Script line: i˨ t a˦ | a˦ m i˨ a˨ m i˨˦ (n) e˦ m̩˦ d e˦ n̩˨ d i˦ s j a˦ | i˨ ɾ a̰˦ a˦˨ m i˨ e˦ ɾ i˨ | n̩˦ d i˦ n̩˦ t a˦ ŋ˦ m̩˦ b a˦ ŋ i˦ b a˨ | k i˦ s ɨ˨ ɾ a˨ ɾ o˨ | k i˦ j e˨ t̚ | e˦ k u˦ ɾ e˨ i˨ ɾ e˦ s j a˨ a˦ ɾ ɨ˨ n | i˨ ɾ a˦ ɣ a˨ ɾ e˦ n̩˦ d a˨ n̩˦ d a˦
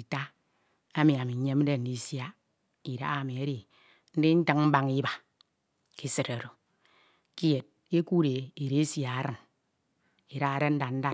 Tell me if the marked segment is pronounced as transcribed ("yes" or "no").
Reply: no